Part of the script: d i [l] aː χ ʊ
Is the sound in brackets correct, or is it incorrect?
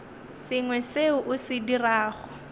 incorrect